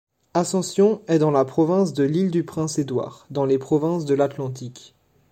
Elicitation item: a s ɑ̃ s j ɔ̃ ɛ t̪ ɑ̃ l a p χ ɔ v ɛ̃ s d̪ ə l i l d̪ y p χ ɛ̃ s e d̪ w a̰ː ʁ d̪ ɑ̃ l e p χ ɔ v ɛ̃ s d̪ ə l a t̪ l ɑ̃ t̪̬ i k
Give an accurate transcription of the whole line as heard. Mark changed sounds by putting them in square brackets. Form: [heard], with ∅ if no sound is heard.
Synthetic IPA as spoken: a s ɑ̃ s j ɔ̃ ɛ [d̪] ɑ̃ l a p χ ɔ v ɛ̃ s d̪ ə l i l d̪ y p χ ɛ̃ s e d̪ w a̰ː ʁ d̪ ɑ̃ l e p χ ɔ v ɛ̃ s d̪ ə l a t̪ l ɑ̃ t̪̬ i k